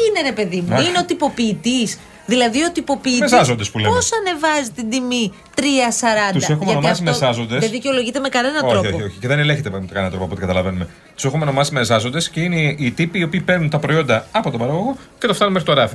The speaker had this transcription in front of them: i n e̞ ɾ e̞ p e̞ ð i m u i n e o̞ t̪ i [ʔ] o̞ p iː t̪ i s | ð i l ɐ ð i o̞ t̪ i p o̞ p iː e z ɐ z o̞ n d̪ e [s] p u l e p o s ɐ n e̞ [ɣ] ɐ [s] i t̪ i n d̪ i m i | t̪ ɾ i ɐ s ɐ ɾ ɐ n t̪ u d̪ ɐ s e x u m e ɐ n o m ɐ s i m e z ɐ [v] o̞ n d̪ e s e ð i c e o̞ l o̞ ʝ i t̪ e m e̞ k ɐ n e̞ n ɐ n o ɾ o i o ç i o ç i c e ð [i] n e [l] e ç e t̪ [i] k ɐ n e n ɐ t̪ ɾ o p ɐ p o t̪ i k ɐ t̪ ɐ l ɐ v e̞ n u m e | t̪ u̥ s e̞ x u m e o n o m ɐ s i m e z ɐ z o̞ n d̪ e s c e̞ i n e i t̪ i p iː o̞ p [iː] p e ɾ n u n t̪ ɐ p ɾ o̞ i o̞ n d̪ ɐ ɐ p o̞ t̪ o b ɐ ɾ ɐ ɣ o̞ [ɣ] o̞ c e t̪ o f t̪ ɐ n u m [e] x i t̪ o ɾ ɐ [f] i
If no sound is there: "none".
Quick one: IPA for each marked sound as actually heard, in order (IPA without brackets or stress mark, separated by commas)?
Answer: p, s, v, z, z, e, l, e, iː, ɣ, e, f